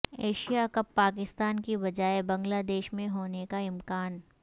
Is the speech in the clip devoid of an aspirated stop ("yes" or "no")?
yes